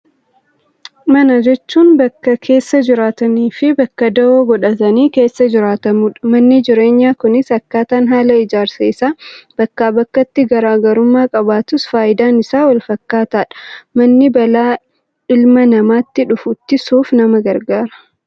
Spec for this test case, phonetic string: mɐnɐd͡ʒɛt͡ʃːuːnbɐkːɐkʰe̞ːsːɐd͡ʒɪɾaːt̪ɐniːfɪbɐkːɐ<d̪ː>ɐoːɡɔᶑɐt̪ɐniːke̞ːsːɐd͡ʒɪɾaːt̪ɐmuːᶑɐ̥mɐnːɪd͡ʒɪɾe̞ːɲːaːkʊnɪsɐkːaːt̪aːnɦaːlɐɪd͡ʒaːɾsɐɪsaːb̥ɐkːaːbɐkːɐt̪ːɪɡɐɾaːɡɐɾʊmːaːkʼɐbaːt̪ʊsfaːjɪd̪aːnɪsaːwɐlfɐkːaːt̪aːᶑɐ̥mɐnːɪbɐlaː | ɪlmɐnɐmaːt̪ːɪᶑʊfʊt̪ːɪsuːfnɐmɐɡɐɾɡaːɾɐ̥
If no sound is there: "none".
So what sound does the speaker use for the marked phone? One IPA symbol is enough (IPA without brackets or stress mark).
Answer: d̪